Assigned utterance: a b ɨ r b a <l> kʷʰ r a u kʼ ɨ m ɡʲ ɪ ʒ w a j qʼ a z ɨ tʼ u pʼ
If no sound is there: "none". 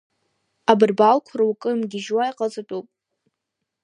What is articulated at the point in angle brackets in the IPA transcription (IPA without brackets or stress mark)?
l